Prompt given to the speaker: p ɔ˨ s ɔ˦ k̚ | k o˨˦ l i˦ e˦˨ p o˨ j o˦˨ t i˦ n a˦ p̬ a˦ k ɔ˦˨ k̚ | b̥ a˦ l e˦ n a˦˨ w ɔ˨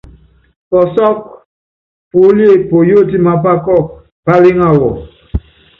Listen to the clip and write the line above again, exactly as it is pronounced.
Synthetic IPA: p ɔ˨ s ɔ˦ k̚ | p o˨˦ l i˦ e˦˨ p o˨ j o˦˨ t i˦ m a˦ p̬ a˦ k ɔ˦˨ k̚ | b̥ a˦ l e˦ ŋ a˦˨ w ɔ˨